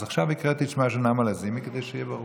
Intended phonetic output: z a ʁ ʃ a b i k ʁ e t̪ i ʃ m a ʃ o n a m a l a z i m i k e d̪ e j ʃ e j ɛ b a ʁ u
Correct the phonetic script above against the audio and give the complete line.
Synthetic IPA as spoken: z a χ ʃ a v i k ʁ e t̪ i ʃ m a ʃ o n a m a l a z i m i k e d̪ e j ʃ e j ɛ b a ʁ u